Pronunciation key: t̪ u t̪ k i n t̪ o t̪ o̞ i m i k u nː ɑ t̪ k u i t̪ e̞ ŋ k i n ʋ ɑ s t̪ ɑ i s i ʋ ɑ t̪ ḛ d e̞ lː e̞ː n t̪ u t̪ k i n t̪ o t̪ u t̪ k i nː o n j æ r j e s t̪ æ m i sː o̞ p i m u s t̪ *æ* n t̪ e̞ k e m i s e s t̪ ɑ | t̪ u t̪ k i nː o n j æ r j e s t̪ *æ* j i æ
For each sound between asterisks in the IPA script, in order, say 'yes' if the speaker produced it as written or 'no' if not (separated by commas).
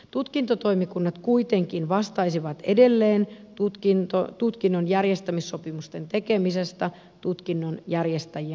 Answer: no, yes